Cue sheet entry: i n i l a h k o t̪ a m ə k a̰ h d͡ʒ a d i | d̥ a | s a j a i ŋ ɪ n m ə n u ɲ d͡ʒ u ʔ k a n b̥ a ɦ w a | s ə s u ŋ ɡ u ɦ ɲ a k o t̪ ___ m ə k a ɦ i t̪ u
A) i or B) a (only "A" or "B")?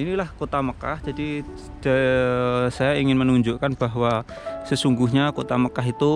B